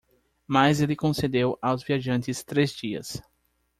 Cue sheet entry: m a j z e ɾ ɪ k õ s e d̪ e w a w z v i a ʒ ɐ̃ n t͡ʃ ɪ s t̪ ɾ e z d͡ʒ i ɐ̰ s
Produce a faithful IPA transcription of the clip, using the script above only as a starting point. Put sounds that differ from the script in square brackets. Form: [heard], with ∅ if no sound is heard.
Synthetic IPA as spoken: m a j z e [l] ɪ k õ s e d̪ e w a w z v i a ʒ ɐ̃ n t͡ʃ ɪ s t̪ ɾ e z d͡ʒ i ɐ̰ s